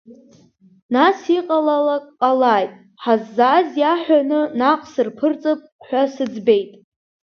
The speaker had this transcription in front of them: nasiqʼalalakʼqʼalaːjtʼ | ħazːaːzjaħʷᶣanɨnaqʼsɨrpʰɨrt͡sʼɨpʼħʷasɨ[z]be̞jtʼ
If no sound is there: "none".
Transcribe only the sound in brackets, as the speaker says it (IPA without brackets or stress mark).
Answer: d͡z